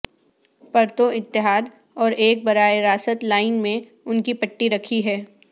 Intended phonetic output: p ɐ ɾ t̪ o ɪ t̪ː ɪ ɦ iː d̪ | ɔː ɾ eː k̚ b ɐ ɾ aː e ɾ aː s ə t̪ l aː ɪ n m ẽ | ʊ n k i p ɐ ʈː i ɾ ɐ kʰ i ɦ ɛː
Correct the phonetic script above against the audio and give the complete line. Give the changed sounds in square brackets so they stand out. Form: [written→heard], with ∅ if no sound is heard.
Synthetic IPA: p ɐ ɾ t̪ o ɪ t̪ː ɪ ɦ [iː→aː] d̪ | ɔː ɾ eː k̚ b ɐ ɾ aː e ɾ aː s ə t̪ l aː ɪ n m ẽ | ʊ n k i p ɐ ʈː i ɾ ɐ kʰ i ɦ ɛː